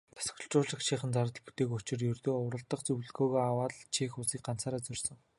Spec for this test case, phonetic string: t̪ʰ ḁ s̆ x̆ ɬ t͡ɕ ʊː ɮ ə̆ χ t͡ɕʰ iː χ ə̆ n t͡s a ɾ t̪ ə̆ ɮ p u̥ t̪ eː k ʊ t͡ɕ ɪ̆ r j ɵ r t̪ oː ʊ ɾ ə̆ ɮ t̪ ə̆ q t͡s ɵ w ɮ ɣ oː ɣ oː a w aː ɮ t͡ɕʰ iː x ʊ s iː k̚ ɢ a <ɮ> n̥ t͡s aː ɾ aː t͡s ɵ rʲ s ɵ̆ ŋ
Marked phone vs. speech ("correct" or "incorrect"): incorrect